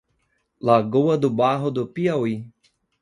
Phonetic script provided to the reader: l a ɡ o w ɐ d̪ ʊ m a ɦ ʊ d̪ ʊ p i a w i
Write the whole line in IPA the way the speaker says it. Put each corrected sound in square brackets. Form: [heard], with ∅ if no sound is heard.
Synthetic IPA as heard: l a ɡ o w ɐ d̪ ʊ [b] a ɦ ʊ d̪ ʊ p i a w i

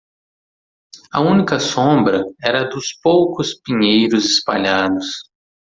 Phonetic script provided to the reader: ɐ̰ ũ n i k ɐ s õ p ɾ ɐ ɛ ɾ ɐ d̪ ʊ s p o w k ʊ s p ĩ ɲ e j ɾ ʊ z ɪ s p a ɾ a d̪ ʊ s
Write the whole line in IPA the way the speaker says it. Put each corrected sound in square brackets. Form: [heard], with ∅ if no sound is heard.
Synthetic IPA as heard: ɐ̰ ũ n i k ɐ s õ [b] ɾ ɐ ɛ ɾ ɐ d̪ ʊ s p o w k ʊ s p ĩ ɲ e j ɾ ʊ z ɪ s p a [ʎ] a d̪ ʊ s

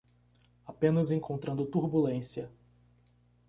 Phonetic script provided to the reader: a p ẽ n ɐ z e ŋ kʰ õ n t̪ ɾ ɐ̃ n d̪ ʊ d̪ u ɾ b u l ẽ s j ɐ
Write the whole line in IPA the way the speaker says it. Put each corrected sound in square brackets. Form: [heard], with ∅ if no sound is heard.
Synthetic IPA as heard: a p ẽ n ɐ z [ẽ] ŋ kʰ õ n t̪ ɾ ɐ̃ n d̪ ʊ [t̪] u ɾ b u l ẽ s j ɐ

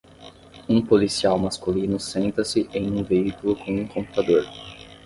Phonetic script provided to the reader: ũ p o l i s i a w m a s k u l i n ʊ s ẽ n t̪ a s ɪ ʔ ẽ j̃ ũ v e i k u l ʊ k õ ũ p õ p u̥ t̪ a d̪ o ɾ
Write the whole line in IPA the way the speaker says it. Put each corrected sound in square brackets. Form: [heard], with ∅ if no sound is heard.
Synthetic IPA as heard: ũ p o l i s i a w m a s k u l i n ʊ s ẽ n t̪ [ɐ] s ɪ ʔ ẽ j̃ ũ v e i k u l ʊ k õ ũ [k] õ p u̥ t̪ a d̪ o ɾ

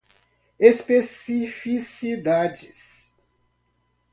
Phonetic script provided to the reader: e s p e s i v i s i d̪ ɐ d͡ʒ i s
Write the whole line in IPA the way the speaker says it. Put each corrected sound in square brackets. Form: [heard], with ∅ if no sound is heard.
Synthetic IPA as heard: e s p e s i [f] i s i d̪ [a] d͡ʒ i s

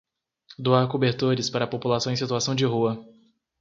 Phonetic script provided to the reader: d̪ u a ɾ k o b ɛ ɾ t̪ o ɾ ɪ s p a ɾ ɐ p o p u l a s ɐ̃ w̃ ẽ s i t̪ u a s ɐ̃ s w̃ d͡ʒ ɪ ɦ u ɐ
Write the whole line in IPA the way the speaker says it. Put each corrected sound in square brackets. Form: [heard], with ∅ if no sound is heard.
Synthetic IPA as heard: d̪ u a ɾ k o b [e] ɾ t̪ o ɾ ɪ s p a ɾ ɐ p o p u l a s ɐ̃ w̃ ẽ s i t̪ u a s ɐ̃ [∅] w̃ d͡ʒ ɪ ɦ u ɐ

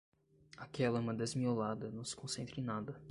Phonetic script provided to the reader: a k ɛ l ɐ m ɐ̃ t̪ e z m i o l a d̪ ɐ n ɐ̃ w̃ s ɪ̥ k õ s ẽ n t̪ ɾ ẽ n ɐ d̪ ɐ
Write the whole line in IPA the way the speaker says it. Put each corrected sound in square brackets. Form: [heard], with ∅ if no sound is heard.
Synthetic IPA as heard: a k ɛ l ɐ m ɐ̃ [d̪] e z m i o l a d̪ ɐ n ɐ̃ w̃ s ɪ̥ k õ s ẽ n t̪ ɾ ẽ n [a] d̪ ɐ

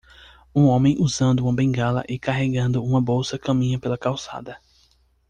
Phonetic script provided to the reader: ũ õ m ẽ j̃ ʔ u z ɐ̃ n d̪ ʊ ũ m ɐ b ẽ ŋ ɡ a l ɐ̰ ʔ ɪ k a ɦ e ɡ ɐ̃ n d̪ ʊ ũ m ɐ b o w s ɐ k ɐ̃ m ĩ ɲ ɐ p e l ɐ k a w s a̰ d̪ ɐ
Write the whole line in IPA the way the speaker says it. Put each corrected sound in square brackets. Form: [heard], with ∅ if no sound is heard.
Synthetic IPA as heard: ũ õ m ẽ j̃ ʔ u z ɐ̃ n d̪ ʊ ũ m ɐ b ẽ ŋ ɡ a l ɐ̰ ʔ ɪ k a ɦ e ɡ ɐ̃ n d̪ ʊ ũ m ɐ b o w s ɐ k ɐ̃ m ĩ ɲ ɐ p e l ɐ k a w s a̰ d̪ ɐ

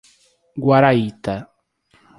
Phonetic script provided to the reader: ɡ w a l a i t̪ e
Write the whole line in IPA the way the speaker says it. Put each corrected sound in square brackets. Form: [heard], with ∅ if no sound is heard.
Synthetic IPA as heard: ɡ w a [ɾ] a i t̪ [a]

